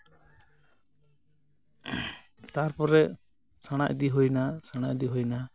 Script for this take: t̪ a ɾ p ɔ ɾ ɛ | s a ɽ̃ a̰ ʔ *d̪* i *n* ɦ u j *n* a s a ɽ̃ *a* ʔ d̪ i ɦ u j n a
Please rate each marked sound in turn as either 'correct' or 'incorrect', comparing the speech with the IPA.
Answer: correct, incorrect, correct, correct

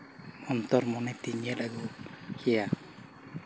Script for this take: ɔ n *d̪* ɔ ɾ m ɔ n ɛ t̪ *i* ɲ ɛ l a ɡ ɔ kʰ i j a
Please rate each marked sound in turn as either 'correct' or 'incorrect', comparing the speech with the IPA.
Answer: incorrect, correct

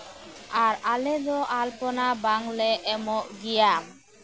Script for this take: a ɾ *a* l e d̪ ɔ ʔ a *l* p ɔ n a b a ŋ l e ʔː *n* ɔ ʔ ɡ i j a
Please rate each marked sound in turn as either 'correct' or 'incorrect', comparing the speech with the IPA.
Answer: correct, correct, incorrect

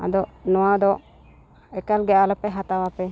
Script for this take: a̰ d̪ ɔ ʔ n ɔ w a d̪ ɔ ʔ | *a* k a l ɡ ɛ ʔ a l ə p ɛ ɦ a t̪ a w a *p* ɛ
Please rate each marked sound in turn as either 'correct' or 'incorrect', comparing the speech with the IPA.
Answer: incorrect, correct

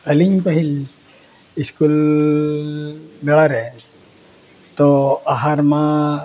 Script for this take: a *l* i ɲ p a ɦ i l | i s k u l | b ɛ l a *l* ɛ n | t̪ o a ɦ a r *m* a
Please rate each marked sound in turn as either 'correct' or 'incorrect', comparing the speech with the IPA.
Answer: correct, incorrect, correct

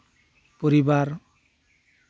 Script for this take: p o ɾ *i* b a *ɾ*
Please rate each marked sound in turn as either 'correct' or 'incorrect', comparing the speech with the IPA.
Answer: correct, correct

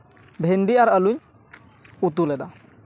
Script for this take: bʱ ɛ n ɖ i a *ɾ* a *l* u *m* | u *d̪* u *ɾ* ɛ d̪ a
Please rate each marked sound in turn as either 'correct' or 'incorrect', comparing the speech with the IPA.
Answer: correct, correct, incorrect, incorrect, incorrect

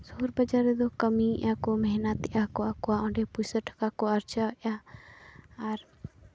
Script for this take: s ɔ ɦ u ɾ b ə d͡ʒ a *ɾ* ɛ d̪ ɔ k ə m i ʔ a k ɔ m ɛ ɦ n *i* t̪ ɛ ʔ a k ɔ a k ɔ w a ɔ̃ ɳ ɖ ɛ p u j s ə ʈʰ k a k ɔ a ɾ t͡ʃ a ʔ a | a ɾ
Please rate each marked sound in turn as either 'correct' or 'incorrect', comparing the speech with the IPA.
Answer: correct, incorrect

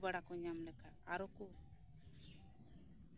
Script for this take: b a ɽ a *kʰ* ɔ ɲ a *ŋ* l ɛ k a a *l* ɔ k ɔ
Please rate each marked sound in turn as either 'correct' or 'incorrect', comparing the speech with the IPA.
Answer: incorrect, incorrect, incorrect

